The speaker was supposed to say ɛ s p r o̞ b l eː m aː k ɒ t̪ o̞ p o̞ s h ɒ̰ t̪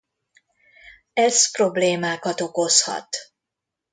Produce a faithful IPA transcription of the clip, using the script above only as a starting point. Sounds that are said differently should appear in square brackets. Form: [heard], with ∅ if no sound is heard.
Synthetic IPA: ɛ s p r o̞ b l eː m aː k ɒ t̪ o̞ [k] o̞ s h ɒ̰ t̪